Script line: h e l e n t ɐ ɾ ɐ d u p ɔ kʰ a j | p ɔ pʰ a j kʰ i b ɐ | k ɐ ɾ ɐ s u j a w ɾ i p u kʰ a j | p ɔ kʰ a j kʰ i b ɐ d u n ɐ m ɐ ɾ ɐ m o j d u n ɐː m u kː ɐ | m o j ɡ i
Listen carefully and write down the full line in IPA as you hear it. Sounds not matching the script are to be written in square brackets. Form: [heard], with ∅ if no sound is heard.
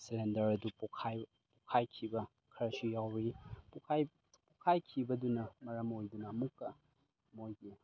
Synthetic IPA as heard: [s] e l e n [d] ɐ ɾ ɐ d u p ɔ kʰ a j | p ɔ [kʰ] a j kʰ i b ɐ | [kʰ] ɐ ɾ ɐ s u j a w ɾ i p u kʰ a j | p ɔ kʰ a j kʰ i b ɐ d u n ɐ m ɐ ɾ ɐ m o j d u n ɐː m u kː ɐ | m o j ɡ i